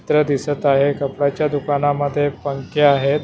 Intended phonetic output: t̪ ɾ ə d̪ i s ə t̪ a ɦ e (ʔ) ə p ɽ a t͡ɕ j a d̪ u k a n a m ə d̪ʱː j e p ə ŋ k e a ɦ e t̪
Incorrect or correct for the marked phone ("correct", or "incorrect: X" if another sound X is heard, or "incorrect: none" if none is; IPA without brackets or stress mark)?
incorrect: k